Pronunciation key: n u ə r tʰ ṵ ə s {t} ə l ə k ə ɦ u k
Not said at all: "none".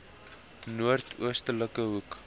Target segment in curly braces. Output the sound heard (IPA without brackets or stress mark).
t